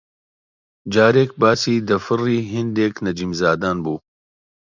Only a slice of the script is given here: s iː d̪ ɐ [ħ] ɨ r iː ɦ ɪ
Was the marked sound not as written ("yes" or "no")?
yes